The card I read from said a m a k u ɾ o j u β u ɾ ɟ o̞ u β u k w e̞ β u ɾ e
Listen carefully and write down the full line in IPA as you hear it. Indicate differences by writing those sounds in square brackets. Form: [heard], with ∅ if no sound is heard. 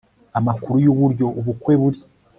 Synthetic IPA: a m a k u ɾ [u] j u β u ɾ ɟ o̞ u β u k w e̞ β u ɾ [i]